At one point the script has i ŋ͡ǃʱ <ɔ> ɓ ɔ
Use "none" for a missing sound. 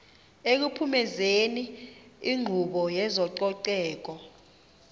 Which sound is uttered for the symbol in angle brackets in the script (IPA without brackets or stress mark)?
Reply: u